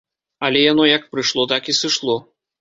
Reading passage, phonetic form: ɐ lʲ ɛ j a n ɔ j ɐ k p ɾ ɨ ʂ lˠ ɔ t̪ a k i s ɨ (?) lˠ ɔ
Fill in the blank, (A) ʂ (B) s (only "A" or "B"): A